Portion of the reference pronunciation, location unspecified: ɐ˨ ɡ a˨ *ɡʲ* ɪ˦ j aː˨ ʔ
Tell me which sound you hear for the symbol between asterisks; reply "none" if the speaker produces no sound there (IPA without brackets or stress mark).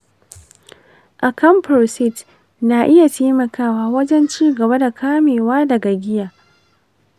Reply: ɡʲ